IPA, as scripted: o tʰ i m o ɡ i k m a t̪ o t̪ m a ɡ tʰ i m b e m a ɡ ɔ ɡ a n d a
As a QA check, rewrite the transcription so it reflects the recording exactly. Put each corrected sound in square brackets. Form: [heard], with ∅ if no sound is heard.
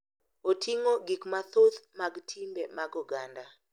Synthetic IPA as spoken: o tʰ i [ŋ] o ɡ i k m a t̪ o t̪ m a ɡ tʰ i m b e m a ɡ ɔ ɡ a n d a

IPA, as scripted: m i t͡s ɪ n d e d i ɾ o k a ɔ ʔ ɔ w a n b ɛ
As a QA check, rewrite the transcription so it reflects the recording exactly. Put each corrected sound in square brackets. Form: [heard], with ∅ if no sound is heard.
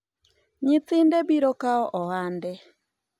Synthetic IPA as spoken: [ɲ] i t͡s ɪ n d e [b] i ɾ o k a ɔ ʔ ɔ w a n [d] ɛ

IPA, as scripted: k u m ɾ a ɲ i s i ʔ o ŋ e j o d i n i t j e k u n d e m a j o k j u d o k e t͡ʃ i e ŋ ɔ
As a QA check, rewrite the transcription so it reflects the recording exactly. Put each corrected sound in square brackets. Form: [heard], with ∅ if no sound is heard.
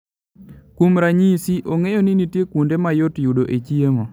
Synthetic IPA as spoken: k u m ɾ a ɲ i s i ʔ o ŋ e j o [n] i n i t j e k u n d e m a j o [t] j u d o [ʔ] e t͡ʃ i e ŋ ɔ

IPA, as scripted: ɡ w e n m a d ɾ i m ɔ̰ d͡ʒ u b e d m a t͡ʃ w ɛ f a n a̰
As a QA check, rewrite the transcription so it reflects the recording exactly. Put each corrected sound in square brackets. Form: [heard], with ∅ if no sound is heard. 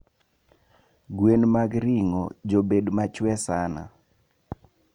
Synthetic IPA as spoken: ɡ w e n m a [ɡ] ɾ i [ŋ] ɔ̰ d͡ʒ [o] b e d m a t͡ʃ w ɛ [s] a n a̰

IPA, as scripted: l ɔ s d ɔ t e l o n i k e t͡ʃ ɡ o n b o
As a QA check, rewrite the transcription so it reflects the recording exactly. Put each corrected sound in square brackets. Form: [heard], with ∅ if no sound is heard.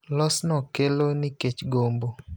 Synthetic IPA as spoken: l ɔ s [n] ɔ [k] e l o n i k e t͡ʃ ɡ o [m] b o

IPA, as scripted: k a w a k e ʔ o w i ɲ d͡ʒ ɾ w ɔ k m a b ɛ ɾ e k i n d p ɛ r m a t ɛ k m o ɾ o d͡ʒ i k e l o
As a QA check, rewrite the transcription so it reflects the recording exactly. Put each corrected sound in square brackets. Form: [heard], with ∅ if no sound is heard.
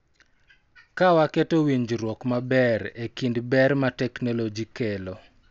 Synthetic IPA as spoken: k a w a k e [t] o w i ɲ d͡ʒ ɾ w ɔ k m a b ɛ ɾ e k i n d [b] ɛ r m a t ɛ k [n] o [l] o d͡ʒ i k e l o

